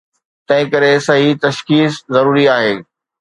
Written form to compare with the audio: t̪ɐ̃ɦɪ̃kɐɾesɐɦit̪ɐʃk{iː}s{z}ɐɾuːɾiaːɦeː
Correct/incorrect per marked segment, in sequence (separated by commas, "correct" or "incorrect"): correct, correct